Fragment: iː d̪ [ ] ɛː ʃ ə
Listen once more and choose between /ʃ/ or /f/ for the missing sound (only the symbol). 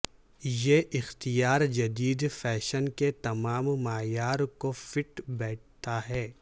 f